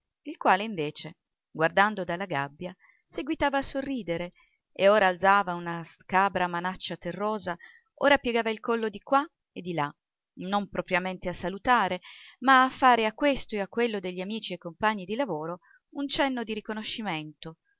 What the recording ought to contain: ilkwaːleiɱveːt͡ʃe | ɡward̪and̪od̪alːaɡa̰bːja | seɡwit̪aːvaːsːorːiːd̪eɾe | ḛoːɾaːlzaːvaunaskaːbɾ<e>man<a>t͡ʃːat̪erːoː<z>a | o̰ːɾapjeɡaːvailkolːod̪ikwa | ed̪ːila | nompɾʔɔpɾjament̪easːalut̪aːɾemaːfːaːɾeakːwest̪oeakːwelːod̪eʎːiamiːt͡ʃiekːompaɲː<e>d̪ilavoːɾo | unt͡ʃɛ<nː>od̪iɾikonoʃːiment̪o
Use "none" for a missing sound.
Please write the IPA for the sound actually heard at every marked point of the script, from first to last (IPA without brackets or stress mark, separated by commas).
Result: a, a, z, i, nː